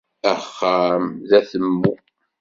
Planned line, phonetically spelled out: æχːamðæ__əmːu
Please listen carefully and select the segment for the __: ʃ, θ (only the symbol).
θ